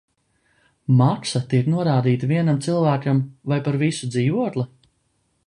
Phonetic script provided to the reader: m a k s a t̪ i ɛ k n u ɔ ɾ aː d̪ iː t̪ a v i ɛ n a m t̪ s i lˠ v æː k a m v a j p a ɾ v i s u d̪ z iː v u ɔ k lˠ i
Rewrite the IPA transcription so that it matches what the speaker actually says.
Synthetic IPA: m a k s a t̪ i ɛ k n u ɔ ɾ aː d̪ iː t̪ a v i ɛ n a m t̪ s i lˠ v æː k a m v a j p a ɾ v i s u d̪ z iː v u ɔ k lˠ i